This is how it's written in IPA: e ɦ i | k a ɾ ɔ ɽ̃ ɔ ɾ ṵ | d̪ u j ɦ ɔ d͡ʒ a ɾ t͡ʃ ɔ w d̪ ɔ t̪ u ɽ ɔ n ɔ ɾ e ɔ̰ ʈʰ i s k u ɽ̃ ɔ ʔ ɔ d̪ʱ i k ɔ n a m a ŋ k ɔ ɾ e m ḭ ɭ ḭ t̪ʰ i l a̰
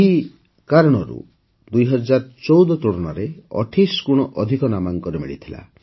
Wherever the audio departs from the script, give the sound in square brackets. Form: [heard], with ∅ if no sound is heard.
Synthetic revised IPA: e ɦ i | k a ɾ ɔ ɽ̃ ɔ ɾ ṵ | d̪ u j ɦ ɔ d͡ʒ a ɾ t͡ʃ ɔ w d̪ ɔ t̪ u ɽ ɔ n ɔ ɾ e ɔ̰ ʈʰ i s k u ɽ̃ ɔ ʔ ɔ d̪ʱ i k ɔ n a m a ŋ k ɔ ɾ e m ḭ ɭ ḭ t̪ʰ i l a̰